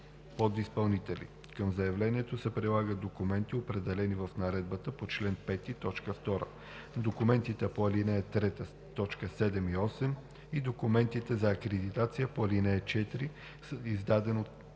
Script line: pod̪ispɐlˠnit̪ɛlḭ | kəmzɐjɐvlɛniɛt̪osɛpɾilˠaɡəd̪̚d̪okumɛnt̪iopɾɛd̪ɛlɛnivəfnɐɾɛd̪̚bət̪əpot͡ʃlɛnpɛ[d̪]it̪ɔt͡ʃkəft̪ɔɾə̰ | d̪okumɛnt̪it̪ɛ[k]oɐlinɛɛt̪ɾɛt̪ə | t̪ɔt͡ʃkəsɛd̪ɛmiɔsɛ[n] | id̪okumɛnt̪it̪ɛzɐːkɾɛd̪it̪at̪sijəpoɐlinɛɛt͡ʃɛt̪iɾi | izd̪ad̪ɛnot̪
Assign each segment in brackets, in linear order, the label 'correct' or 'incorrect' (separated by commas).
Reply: incorrect, incorrect, incorrect